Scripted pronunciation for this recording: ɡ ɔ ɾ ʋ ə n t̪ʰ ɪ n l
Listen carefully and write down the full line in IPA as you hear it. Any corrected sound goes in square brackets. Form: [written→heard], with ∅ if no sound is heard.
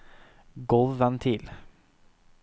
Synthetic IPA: ɡ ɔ [ɾ→l] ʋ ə n t̪ʰ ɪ [n→∅] l